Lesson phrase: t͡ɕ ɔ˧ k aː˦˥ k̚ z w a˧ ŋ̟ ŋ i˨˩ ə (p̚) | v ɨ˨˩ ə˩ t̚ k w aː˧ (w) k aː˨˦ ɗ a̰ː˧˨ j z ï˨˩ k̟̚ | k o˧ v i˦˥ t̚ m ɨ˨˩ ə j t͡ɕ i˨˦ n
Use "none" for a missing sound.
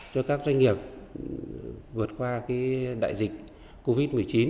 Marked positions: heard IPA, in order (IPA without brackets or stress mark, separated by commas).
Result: p̚, none